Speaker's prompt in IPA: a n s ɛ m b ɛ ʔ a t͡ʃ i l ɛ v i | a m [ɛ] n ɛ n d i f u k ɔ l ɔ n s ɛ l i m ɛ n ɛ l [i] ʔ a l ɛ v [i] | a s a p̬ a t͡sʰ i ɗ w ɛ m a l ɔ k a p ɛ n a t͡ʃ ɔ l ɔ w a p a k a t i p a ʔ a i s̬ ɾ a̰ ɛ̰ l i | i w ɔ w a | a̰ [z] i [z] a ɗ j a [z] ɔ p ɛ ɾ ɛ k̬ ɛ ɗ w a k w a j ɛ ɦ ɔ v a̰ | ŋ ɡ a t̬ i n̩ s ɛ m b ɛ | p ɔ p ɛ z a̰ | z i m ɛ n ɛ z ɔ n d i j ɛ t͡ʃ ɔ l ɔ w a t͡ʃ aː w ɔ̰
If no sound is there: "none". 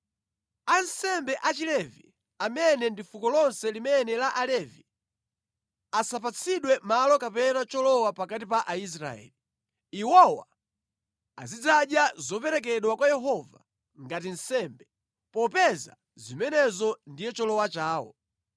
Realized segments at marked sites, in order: ɛ, a, i, z, d͡z, z

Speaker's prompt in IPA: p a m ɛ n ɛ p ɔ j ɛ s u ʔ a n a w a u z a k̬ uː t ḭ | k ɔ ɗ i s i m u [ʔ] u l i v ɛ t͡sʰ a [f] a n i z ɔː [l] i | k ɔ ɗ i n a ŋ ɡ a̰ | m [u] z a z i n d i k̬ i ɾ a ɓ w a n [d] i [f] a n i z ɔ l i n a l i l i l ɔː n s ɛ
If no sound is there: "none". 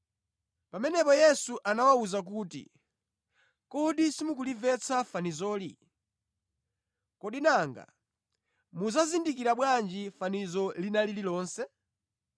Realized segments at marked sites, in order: k, f, l, u, d͡ʒ, f

